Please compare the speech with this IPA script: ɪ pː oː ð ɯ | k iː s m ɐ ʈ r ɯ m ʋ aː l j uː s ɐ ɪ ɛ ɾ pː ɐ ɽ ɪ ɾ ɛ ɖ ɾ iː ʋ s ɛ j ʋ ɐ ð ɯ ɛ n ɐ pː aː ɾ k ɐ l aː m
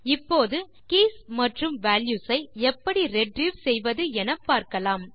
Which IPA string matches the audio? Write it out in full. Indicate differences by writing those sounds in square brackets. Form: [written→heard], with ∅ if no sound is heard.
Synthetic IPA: ɪ pː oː ð ɯ | k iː s m ɐ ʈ r ɯ m ʋ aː l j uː s ɐ ɪ ɛ [ɾ→∅] pː ɐ ɽ [ɪ→i] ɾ ɛ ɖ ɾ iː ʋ s ɛ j ʋ ɐ ð ɯ ɛ n ɐ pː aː ɾ k ɐ l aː m